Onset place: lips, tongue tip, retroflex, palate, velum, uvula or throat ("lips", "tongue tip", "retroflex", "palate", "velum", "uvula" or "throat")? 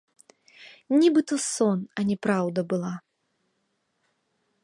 tongue tip